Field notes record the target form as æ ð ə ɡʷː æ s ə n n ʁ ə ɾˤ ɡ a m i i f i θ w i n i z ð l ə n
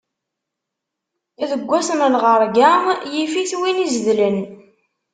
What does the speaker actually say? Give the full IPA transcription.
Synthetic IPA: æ ð ə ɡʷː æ s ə n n ʁ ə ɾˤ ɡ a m j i f i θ w i n i z ð l ə n